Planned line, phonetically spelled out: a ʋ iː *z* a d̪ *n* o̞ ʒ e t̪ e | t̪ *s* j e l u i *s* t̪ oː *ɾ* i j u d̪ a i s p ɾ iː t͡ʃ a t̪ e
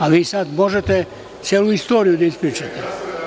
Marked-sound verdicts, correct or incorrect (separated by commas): incorrect, incorrect, correct, correct, correct